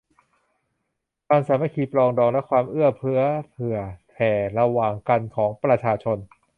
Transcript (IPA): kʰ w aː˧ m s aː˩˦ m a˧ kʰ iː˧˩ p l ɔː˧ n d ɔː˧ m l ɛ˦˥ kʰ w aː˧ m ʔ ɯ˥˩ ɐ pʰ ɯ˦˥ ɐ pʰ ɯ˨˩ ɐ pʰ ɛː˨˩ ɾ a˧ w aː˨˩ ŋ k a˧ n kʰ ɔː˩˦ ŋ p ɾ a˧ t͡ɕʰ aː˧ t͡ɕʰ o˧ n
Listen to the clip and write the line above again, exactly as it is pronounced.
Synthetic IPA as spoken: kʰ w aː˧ m s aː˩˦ m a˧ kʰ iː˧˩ p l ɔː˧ ŋ d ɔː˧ ŋ l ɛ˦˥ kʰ w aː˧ m ʔ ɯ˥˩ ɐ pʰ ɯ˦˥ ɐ pʰ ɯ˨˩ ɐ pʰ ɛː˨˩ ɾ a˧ w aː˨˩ ŋ k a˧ n kʰ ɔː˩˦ ŋ p ɾ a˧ t͡ɕʰ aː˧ t͡ɕʰ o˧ n